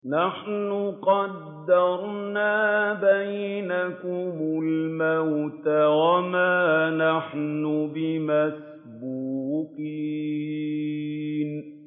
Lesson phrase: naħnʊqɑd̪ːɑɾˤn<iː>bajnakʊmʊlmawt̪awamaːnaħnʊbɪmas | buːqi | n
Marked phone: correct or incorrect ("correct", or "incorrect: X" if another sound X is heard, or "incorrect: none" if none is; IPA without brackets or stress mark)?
incorrect: aː